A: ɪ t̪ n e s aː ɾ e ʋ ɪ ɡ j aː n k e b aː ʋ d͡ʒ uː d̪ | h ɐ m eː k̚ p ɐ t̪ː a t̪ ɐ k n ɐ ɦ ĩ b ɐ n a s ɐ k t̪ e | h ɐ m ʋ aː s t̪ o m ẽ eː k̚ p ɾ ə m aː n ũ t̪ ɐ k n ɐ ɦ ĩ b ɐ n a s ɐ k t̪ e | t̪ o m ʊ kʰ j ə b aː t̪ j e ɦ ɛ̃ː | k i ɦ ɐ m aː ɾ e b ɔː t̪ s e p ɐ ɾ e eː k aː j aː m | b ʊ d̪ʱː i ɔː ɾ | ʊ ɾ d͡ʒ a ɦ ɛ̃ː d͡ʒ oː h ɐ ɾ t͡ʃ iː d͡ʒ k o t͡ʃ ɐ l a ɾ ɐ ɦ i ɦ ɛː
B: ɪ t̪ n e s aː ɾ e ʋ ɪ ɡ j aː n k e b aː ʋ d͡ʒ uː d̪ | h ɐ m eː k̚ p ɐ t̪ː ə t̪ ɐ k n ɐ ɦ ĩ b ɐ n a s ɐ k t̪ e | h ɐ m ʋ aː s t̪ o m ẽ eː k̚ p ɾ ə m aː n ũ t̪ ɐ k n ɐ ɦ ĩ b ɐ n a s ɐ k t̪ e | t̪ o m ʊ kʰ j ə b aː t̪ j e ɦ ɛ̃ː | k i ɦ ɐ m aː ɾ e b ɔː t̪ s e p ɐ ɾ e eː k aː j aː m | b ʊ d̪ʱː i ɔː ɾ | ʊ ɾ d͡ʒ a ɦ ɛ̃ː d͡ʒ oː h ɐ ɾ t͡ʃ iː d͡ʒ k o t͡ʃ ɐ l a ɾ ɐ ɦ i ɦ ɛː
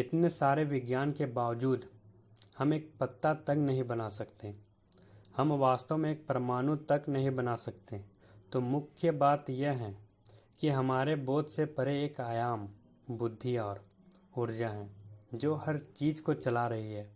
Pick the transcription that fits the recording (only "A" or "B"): A